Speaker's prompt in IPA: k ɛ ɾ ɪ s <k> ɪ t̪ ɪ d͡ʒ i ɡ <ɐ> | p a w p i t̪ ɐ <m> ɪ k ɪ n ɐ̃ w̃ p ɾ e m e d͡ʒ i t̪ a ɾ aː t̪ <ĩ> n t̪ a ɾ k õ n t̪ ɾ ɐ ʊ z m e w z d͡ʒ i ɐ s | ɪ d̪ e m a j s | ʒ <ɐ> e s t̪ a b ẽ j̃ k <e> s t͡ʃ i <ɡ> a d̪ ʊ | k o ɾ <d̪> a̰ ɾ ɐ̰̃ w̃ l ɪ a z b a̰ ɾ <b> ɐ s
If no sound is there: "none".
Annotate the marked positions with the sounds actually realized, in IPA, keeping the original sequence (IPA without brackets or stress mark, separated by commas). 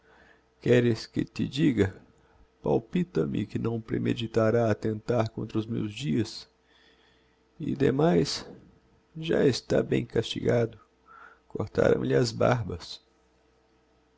k, ɐ, m, ẽ, a, a, ɡ, t̪, b